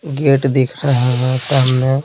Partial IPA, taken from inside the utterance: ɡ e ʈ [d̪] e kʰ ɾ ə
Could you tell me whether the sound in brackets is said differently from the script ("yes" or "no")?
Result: no